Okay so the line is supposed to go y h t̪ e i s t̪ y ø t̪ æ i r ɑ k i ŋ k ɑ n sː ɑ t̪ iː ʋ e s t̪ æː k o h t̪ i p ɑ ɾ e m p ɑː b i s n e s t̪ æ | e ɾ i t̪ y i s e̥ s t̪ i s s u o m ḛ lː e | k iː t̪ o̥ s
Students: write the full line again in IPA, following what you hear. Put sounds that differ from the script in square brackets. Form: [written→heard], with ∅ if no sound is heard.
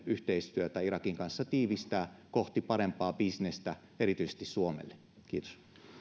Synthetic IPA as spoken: y h t̪ e i s t̪ y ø t̪ æ i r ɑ k i ŋ k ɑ n sː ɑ t̪ iː ʋ [e→i] s t̪ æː k o h t̪ i p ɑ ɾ e m p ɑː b i s n e s t̪ æ | e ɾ i t̪ y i s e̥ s t̪ i s s u o m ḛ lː e | k iː t̪ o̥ s